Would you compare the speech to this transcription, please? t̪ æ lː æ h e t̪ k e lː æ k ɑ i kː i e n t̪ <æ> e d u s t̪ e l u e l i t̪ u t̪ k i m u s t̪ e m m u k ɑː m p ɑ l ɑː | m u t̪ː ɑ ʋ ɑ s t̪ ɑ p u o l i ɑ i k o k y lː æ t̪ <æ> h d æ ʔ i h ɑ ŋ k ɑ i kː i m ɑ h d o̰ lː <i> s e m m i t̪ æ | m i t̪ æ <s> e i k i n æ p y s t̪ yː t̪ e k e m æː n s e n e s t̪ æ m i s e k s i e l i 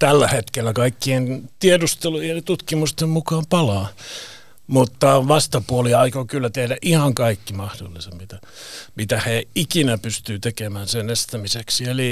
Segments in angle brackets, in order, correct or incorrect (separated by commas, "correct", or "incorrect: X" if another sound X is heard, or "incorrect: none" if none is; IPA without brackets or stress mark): incorrect: i, incorrect: e, correct, incorrect: h